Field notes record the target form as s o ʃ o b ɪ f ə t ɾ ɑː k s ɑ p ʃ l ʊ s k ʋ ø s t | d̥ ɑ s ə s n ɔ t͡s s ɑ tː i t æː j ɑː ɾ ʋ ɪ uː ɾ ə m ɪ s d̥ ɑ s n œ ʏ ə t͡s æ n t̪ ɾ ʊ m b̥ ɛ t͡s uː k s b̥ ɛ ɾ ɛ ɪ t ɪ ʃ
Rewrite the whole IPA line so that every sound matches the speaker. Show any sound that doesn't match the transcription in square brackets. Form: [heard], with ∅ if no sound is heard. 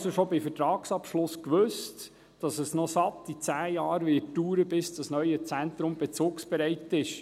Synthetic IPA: s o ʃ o b ɪ f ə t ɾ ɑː k s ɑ p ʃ l ʊ s k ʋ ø s t | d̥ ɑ s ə s n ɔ [∅] s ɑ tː i [t͡s] æː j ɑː ɾ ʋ ɪ uː ɾ ə [b] ɪ s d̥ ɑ s n œ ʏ ə t͡s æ n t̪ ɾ ʊ m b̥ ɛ t͡s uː k s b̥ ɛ ɾ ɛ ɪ t ɪ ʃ